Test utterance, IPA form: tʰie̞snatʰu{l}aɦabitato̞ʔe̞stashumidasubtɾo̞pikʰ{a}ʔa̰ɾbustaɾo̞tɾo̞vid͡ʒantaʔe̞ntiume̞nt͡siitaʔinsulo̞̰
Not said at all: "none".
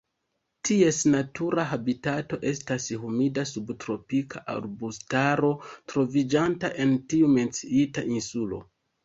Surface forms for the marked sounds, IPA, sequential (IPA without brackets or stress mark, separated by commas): ɾ, a